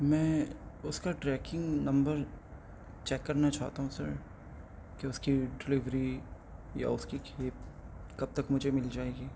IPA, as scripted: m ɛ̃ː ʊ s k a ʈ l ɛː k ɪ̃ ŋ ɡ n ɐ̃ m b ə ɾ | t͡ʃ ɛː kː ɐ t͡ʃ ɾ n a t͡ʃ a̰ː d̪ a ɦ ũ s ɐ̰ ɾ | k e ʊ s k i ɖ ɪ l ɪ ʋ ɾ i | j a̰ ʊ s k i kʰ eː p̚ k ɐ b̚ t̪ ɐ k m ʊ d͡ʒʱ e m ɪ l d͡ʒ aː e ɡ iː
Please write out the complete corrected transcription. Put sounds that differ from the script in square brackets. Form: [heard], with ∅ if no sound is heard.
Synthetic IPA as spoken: m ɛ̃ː ʊ s k a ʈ [ɾ] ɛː k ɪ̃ ŋ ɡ n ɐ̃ m b ə ɾ | t͡ʃ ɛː kː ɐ [∅] ɾ n a t͡ʃ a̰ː [t̪] a ɦ ũ s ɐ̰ ɾ | k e ʊ s k i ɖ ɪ l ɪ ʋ ɾ i | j a̰ ʊ s k i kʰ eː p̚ k ɐ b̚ t̪ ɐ k m ʊ d͡ʒʱ e m ɪ l d͡ʒ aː e ɡ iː